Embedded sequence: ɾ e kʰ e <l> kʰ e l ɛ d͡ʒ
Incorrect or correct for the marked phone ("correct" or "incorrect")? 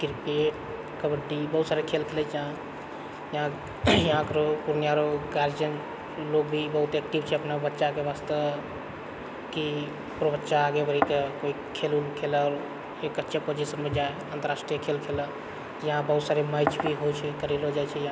correct